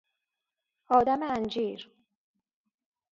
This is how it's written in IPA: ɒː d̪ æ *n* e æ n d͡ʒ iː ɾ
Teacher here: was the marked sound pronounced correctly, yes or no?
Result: no